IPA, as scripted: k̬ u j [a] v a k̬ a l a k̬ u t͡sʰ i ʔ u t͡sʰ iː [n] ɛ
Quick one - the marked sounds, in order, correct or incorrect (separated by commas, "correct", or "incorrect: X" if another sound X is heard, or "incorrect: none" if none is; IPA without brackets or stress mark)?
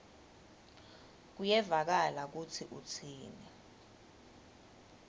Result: incorrect: ɛ, correct